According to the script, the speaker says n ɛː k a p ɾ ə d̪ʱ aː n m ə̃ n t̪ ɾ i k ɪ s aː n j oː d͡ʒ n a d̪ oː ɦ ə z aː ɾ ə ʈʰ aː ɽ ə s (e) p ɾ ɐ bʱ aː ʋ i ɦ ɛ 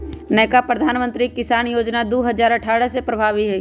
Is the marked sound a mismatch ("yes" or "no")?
no